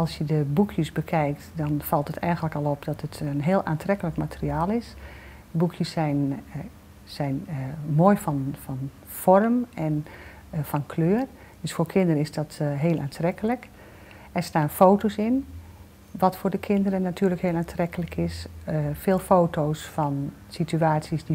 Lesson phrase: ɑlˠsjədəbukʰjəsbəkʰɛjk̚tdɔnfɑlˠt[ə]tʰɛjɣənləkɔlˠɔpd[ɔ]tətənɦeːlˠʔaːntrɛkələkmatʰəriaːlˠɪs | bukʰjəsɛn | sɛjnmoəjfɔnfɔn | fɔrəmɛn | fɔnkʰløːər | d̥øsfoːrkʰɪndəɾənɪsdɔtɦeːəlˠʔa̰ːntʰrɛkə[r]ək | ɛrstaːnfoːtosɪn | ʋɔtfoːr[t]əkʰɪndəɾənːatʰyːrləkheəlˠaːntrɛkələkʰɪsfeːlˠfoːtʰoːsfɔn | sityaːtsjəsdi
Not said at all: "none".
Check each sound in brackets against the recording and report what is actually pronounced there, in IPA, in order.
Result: ə, ɔ, l, d

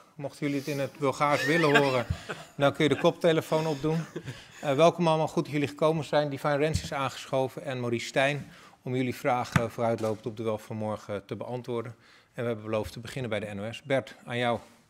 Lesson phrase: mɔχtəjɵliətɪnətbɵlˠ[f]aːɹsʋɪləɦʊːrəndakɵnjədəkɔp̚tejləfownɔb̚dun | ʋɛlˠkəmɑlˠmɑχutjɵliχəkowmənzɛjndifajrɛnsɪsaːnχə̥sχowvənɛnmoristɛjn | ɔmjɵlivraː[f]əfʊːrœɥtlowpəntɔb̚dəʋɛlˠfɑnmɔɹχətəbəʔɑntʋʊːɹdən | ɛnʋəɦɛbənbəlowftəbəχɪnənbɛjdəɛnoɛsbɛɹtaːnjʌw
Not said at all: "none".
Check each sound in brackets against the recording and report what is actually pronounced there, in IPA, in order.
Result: χ, χ

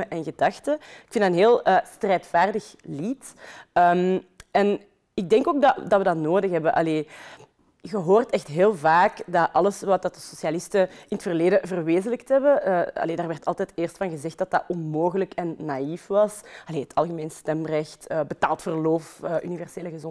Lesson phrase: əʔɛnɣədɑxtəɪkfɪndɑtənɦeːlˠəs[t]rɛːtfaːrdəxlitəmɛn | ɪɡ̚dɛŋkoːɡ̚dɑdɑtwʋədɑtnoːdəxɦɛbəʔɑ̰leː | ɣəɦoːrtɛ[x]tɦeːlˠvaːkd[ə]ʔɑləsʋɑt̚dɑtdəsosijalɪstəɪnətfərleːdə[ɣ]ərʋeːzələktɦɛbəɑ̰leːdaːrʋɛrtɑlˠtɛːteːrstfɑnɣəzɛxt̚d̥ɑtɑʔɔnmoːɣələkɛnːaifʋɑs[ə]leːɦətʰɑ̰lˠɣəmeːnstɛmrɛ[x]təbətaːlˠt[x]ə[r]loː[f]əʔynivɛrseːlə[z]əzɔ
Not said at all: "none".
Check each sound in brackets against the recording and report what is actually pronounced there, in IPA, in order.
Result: t, x, ɑ, v, ɑ, x, f, r, f, ɣ

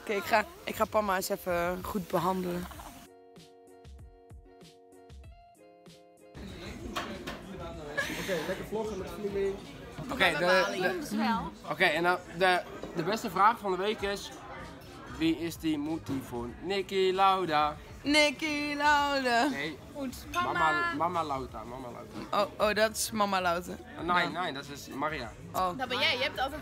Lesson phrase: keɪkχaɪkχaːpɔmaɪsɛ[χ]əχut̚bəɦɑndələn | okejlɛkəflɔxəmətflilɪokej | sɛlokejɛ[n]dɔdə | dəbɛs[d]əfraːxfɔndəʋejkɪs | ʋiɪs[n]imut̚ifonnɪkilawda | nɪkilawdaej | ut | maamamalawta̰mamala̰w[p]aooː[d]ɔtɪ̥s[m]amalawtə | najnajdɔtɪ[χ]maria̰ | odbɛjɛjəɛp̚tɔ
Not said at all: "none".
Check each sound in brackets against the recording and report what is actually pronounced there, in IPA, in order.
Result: f, n, t, d, t, d, m, s

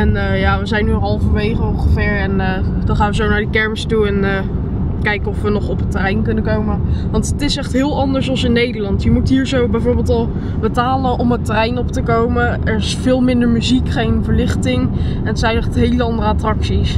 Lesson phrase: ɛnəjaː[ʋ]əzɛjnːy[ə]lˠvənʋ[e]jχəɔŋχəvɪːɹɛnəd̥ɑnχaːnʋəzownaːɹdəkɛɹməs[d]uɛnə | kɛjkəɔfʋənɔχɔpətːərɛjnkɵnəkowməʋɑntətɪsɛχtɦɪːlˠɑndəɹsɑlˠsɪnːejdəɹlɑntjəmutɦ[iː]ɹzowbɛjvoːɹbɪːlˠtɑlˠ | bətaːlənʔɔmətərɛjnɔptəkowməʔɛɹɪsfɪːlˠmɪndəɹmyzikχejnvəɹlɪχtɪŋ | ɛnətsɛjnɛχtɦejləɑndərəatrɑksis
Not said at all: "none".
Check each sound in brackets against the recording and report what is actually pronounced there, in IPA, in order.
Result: ʋ, ɑ, e, t, iː

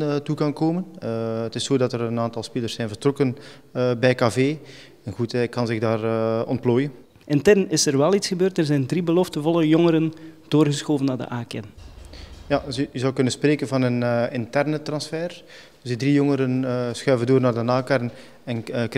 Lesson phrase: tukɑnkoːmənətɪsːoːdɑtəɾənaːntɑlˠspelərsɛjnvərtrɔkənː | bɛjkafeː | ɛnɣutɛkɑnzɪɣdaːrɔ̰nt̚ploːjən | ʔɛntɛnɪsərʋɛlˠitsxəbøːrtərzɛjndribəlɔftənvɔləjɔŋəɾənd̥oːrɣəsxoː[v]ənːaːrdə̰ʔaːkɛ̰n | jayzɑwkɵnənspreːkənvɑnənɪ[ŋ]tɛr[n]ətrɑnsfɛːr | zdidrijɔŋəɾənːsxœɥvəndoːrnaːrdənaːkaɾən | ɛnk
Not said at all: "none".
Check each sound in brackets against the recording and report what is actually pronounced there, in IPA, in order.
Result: v, n, n

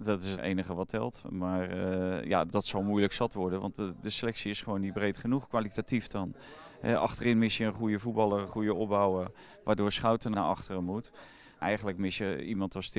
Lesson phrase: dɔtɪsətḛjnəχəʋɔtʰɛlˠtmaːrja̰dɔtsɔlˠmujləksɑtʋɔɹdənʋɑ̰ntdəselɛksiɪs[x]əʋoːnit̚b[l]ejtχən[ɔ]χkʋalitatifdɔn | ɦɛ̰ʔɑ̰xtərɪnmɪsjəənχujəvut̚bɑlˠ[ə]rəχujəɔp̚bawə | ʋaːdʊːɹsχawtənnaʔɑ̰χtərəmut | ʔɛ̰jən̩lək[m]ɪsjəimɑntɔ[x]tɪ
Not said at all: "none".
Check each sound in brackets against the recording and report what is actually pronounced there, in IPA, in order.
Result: χ, r, u, ə, m, s

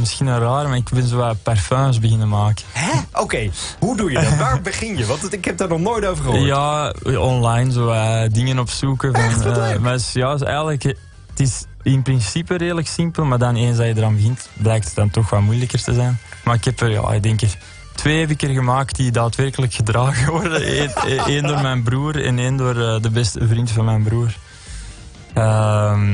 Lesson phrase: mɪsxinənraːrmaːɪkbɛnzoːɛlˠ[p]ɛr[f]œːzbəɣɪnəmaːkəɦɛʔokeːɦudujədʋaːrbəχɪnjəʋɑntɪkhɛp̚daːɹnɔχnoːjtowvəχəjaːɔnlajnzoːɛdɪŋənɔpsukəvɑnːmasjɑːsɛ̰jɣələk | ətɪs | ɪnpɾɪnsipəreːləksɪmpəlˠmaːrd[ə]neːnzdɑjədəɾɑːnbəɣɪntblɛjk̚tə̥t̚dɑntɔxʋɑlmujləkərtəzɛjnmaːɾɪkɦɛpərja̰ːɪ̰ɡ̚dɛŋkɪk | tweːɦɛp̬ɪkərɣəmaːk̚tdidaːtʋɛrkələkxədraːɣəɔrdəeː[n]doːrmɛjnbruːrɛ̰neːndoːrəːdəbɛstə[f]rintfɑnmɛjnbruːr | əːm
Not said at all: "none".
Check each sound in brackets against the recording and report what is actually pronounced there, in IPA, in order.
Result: p, f, ɑ, n, v

